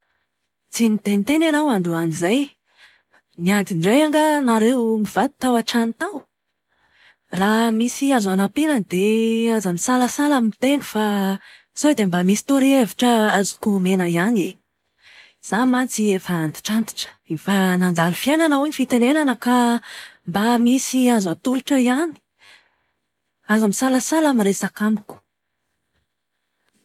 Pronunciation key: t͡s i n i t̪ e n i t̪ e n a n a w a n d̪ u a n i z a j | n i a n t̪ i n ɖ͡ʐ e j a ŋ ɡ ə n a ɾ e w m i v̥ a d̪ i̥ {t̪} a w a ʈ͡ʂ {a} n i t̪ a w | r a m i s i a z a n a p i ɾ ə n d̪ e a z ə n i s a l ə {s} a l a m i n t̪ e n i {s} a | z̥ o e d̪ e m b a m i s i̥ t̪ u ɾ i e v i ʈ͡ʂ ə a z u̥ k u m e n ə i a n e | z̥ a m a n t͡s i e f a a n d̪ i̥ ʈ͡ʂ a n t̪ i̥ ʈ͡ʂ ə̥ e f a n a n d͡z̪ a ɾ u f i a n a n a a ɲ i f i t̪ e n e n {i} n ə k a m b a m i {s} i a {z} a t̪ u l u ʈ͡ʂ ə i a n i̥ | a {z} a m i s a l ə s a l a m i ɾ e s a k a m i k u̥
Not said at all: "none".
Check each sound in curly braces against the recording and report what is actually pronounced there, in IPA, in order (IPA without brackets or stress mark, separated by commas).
t̪, a, s, f, a, s, z, z